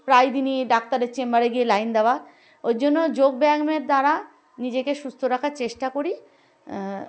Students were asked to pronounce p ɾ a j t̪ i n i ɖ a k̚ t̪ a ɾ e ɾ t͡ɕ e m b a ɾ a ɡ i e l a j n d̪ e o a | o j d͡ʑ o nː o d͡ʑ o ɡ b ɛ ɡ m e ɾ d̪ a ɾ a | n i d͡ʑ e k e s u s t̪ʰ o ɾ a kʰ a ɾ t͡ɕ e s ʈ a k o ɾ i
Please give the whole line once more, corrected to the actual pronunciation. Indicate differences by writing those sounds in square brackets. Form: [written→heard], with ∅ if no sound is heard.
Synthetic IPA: p ɾ a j [t̪→d̪] i n i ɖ a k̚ t̪ a ɾ e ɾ t͡ɕ e m b a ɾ [a→e] ɡ i e l a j n d̪ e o a | o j d͡ʑ o nː o d͡ʑ o ɡ b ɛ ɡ m e ɾ d̪ a ɾ a | n i d͡ʑ e k e [s→ʃ] u s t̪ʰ o ɾ a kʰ a ɾ t͡ɕ e [s→ʃ] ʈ a k o ɾ i